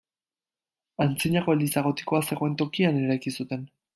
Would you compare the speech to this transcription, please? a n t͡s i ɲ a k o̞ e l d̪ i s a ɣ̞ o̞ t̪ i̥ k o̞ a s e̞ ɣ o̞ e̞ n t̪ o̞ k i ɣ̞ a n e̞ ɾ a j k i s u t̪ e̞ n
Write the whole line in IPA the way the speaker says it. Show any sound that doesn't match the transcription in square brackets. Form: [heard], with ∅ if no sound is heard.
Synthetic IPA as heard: a n t͡s i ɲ a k o̞ e l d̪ i s a ɣ̞ o̞ t̪ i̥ k o̞ a s e̞ ɣ o̞ e̞ n t̪ o̞ k i [∅] a n e̞ ɾ a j k i s u t̪ e̞ n